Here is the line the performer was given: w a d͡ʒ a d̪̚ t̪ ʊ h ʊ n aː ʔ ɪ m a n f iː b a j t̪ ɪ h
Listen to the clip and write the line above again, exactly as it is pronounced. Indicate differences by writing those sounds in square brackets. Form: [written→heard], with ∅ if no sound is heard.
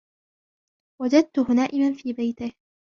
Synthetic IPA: w a d͡ʒ a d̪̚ t̪ ʊ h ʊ n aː ʔ ɪ m a n f iː b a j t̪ ɪ h